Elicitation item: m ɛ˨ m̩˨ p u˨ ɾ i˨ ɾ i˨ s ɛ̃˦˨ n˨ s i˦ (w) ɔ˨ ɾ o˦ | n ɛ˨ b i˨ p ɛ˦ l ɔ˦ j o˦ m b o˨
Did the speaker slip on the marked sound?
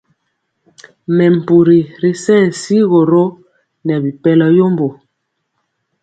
yes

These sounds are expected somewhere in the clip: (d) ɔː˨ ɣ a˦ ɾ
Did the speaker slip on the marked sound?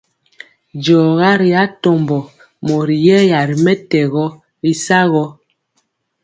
yes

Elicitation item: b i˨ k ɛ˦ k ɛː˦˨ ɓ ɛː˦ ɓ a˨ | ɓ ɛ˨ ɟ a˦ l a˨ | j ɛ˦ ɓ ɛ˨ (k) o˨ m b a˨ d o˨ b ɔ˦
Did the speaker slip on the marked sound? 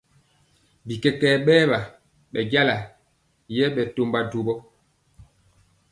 yes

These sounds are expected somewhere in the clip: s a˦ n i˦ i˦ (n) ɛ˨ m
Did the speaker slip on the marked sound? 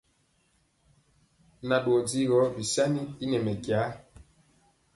no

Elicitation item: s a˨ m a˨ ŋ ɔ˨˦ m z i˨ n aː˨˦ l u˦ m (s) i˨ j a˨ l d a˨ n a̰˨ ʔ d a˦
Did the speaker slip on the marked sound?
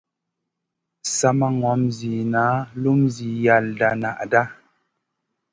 yes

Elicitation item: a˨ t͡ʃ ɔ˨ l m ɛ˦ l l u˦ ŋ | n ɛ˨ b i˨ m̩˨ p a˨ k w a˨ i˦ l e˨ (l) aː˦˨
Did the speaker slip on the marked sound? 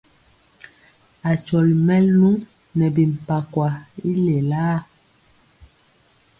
no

